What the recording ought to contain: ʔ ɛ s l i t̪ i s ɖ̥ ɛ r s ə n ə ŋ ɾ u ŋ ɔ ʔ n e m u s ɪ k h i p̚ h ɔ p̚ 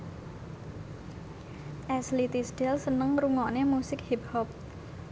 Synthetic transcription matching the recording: ʔ ɛ s l i t̪ i s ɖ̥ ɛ l s ə n ə ŋ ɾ u ŋ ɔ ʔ n e m u s ɪ k h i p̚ h ɔ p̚